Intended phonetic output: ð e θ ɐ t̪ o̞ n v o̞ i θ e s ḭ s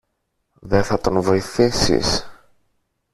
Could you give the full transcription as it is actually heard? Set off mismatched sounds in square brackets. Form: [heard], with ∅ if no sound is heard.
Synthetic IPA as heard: ð e θ ɐ t̪ o̞ n v o̞ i θ [i] s ḭ s